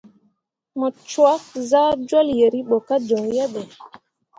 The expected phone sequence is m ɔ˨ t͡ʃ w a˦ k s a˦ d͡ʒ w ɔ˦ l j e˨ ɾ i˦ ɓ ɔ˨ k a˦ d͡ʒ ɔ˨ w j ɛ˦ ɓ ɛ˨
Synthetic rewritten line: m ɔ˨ t͡ʃ w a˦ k z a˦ d͡ʒ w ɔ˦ l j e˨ ɾ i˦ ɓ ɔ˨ k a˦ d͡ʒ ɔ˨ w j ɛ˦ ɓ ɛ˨